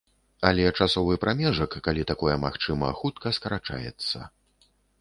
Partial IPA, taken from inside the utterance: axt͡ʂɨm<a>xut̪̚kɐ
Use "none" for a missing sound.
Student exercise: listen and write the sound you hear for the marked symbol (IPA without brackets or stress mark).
ɐ